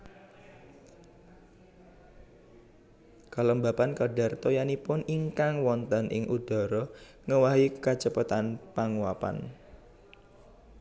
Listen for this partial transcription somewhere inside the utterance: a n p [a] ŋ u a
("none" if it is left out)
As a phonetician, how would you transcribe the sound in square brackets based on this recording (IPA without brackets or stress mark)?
a